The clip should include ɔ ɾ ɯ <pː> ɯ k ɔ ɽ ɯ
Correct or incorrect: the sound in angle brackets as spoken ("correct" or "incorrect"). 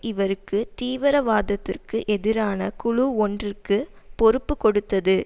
correct